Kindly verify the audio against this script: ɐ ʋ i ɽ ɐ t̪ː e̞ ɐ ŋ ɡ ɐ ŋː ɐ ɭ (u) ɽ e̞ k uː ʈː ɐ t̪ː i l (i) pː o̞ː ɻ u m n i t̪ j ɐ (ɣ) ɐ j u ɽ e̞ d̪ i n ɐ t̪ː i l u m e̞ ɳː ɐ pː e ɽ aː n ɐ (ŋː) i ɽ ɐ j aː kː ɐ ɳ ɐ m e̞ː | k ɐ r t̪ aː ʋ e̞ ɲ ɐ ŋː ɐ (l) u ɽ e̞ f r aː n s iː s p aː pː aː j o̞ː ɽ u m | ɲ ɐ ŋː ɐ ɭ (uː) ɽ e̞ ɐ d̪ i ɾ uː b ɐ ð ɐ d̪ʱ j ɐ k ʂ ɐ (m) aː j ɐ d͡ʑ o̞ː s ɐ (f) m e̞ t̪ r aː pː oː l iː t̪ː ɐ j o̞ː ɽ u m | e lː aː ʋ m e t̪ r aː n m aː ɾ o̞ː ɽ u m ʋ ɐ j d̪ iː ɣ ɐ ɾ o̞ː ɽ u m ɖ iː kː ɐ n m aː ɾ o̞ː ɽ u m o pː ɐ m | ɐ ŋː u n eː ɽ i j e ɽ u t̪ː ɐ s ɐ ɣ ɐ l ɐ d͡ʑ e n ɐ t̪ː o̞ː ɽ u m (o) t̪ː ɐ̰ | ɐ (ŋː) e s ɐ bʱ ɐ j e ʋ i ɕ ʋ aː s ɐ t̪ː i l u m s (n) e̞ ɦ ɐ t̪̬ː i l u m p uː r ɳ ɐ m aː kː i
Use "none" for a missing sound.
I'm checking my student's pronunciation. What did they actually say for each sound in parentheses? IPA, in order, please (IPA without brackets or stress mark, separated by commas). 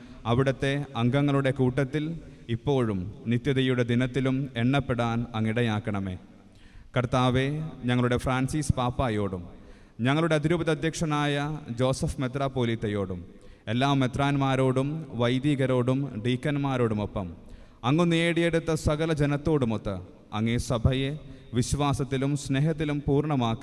u, i, ð, ŋː, ɭ, u, n, f, o, ŋː, n